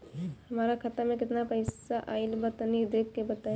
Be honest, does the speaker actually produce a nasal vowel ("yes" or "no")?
yes